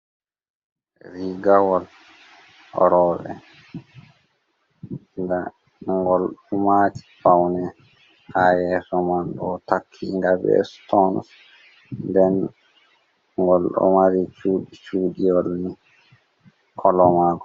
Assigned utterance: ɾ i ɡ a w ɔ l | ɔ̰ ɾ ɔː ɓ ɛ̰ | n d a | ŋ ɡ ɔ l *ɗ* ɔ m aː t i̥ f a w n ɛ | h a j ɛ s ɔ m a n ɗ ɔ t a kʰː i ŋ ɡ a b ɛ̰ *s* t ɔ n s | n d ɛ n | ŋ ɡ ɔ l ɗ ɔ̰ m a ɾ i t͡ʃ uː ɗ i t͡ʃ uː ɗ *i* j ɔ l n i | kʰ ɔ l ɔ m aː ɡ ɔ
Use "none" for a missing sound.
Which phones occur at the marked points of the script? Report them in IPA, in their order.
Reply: ɗ, s, i

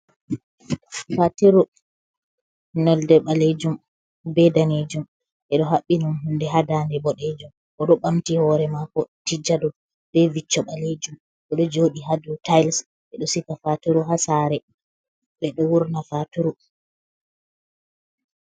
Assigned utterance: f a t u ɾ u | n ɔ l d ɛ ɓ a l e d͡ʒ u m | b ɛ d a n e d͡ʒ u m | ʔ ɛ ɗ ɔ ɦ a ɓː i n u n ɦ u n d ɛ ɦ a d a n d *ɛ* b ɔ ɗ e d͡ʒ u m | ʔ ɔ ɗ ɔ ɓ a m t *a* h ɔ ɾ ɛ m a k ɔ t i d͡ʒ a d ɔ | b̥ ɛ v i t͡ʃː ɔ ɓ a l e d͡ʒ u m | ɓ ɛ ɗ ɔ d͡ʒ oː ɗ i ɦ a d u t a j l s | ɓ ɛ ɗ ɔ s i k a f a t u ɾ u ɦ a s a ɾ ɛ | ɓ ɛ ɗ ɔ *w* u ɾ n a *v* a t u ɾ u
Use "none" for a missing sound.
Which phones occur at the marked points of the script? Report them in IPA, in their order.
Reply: ɛ, i, w, f

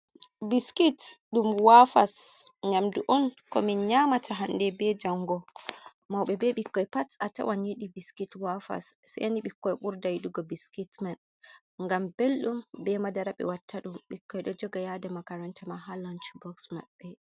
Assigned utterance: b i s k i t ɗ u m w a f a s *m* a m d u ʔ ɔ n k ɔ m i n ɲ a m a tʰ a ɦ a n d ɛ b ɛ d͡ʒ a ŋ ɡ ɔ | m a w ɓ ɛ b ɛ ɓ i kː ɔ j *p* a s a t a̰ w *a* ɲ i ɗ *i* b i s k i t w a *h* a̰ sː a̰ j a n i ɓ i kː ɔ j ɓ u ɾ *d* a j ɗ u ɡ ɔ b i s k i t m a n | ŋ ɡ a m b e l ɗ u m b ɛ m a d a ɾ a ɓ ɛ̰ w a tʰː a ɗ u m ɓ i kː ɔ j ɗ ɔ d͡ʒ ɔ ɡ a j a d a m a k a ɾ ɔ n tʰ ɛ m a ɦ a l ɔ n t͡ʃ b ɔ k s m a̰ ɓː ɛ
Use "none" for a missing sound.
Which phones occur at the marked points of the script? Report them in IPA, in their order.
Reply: ɲ, p, a, i, f, d

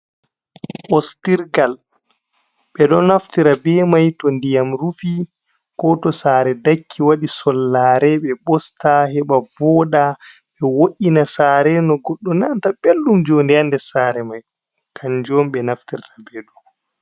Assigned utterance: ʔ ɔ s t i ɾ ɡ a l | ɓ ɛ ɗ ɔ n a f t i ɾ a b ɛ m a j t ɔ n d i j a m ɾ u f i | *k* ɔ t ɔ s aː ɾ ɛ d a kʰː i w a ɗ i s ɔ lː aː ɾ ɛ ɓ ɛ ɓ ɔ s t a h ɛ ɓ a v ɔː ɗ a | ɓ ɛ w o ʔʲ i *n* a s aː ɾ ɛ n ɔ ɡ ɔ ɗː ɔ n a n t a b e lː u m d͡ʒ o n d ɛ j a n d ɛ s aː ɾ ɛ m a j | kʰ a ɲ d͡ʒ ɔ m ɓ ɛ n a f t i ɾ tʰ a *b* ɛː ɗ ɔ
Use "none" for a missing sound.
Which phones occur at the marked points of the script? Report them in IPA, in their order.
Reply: k, n, b

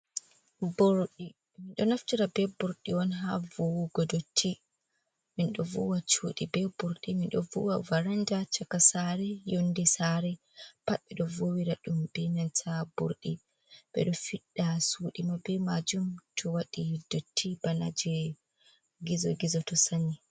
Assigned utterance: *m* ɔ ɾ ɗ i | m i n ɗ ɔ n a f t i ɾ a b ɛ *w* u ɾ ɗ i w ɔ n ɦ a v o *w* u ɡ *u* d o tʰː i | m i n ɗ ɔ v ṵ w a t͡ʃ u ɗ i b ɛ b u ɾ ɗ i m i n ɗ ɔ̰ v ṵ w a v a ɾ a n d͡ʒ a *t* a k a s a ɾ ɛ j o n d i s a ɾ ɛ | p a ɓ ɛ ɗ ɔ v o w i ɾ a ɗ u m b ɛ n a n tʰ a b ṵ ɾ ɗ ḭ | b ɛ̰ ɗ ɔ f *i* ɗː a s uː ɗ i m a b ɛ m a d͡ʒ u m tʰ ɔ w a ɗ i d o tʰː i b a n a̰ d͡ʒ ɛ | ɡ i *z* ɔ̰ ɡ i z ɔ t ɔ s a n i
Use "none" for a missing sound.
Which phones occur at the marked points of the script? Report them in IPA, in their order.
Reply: b, b, w, ɔ, t͡ʃ, i, z

